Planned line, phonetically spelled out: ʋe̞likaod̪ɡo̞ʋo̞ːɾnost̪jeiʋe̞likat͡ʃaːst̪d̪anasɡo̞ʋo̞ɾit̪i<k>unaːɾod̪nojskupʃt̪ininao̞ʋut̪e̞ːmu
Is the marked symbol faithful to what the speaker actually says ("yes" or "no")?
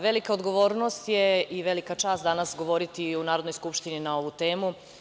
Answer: no